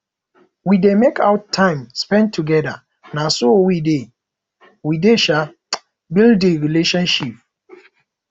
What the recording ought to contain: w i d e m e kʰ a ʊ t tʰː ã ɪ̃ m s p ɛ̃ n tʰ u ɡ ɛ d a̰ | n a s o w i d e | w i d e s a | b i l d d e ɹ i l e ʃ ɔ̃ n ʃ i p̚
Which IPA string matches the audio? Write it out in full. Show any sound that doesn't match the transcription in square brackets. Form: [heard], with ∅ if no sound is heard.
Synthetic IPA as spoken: w i d e m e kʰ a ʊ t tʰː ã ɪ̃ m s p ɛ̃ n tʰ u ɡ ɛ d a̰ | n a s o w i d e | w i d e [ʃ] a | b i l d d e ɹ i l e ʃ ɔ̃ n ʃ i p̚

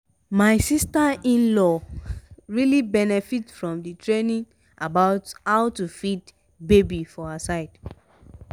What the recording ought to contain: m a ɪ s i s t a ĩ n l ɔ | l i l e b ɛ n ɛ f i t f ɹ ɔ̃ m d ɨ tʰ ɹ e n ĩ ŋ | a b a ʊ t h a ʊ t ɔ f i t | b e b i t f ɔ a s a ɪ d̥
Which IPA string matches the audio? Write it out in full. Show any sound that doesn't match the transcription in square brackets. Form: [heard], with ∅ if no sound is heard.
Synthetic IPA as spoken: m a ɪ s i s t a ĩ n l ɔ | [ɹ] i l [i] b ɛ n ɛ f i t f ɹ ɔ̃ m d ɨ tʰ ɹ e n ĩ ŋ | a b a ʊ t h a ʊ t [u] f i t | b e b i [∅] f ɔ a s a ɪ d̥

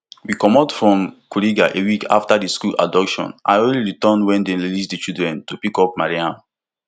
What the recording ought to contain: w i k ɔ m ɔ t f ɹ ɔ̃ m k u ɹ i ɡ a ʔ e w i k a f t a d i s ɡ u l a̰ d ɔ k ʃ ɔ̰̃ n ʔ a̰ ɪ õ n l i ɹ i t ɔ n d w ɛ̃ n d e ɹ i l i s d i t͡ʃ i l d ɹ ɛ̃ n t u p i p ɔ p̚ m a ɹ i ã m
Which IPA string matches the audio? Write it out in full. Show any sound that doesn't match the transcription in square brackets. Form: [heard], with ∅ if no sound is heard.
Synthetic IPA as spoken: w i k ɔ m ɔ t f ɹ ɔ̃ m k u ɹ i ɡ a ʔ e w i k a f t a d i s [k] u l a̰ d ɔ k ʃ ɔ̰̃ n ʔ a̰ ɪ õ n l i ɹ i t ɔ n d w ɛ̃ n d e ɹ i l i s d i t͡ʃ i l d ɹ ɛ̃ n t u p i [k] ɔ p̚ m a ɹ i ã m

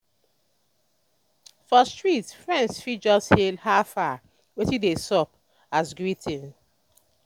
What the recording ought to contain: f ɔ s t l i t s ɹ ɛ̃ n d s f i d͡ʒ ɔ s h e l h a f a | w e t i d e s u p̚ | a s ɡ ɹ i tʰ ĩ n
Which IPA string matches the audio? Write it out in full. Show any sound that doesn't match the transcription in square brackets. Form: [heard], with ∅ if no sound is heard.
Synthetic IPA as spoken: f ɔ s t [ɹ] i t [f] ɹ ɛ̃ n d s f i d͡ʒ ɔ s h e l h a f a | w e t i d e s [ɔ] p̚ | a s ɡ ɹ i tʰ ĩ n

